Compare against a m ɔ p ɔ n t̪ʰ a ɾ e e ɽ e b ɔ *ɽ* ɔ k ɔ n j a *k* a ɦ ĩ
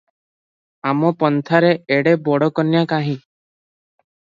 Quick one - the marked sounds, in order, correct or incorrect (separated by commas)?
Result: correct, correct